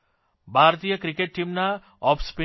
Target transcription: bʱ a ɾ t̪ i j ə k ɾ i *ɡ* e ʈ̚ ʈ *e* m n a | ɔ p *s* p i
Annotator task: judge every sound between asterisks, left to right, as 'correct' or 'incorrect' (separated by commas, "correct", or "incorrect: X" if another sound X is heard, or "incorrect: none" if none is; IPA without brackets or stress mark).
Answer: incorrect: k, incorrect: i, correct